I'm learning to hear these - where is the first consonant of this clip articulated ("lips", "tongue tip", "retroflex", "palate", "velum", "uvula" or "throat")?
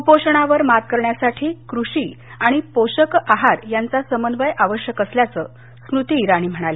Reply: lips